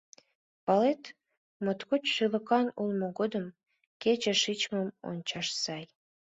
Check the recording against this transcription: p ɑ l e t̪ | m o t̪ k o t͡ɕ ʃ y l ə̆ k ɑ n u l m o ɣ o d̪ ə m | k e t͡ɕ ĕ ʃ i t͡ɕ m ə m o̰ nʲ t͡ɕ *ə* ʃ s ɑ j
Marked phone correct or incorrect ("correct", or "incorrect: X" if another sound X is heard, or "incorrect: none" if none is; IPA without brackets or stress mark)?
incorrect: ɑ